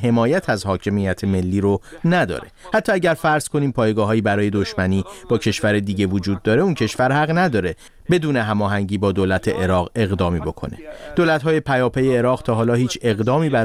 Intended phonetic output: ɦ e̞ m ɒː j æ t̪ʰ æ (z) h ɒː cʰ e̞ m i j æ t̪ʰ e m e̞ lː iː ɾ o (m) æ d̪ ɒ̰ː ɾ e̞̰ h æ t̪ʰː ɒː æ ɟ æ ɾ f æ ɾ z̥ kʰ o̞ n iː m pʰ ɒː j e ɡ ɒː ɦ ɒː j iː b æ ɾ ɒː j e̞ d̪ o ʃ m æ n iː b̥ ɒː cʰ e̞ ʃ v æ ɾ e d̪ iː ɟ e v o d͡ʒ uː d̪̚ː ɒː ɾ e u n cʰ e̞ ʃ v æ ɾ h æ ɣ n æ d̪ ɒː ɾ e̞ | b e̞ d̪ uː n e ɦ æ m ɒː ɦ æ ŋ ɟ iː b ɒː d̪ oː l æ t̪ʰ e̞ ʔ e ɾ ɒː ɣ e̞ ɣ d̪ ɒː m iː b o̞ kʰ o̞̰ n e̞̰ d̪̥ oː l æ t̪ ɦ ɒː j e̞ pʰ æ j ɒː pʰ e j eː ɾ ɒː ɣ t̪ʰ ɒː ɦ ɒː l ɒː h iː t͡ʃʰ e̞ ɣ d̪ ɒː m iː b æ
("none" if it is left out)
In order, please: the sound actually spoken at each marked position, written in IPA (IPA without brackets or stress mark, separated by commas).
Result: z, n